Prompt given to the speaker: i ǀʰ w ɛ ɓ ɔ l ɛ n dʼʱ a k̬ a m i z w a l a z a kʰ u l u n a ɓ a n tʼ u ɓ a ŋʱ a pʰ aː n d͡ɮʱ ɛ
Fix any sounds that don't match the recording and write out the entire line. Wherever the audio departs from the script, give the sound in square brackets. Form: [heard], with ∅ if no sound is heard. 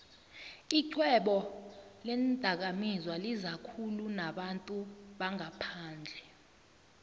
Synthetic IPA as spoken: i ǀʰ w ɛ ɓ ɔ l ɛ n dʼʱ a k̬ a m i z w a l [i] z a kʰ u l u n a ɓ a n tʼ u ɓ a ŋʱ a pʰ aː n d͡ɮʱ ɛ